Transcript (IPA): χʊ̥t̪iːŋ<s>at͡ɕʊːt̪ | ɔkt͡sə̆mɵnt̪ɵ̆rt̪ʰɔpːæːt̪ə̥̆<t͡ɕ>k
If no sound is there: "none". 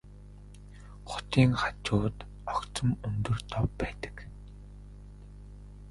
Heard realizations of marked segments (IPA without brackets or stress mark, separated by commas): χ, none